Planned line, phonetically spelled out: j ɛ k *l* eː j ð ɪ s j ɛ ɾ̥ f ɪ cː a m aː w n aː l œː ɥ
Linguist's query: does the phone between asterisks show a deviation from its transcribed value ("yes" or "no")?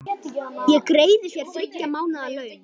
yes